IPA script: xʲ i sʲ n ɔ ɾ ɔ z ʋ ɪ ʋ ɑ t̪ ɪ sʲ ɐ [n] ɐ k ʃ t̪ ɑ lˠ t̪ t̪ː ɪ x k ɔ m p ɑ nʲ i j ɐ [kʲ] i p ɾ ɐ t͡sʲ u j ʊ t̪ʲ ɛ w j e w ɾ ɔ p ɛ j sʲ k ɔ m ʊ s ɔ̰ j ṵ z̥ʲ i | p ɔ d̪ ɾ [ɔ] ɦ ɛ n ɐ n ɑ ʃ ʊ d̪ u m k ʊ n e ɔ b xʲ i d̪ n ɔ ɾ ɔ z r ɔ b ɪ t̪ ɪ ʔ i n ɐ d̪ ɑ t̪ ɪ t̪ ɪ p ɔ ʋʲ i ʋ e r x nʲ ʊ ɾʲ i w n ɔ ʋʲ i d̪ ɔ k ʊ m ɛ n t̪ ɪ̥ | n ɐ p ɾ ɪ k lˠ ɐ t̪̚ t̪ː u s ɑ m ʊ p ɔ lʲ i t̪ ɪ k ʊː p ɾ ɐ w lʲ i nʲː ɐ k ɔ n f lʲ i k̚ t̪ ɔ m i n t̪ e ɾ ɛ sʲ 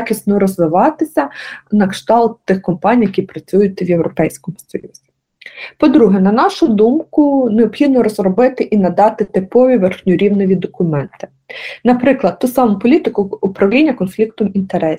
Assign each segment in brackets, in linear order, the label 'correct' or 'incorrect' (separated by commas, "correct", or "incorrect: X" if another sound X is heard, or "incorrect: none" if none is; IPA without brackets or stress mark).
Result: correct, correct, incorrect: u